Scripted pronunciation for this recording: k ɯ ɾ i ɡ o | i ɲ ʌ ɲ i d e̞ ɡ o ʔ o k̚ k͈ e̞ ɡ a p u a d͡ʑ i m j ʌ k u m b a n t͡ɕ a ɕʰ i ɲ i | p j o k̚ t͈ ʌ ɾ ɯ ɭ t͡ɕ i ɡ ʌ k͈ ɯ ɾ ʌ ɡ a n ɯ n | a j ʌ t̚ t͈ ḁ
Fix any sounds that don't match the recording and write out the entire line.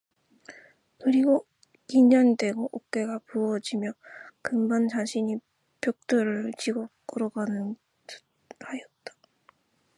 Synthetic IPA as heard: k ɯ ɾ i ɡ o | i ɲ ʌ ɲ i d e̞ ɡ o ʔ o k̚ k͈ e̞ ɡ a p u ʌ d͡ʑ i m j ʌ k ɯ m b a n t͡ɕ a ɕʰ i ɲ i | p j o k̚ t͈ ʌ ɾ ɯ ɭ t͡ɕ i ɡ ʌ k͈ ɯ ɾ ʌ ɡ a n ɯ n | a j ʌ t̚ t͈ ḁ